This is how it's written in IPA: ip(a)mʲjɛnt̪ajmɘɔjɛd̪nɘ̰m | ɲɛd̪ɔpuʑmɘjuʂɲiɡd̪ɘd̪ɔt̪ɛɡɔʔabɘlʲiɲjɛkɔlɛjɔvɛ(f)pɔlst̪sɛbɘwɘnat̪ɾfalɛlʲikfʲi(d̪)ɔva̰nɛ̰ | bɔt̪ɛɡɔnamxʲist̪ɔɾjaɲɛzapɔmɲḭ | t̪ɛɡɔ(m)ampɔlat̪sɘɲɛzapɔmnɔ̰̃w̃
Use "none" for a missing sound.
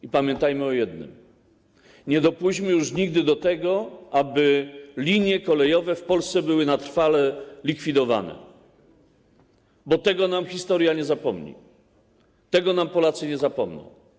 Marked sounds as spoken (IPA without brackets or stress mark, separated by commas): a, f, d̪, n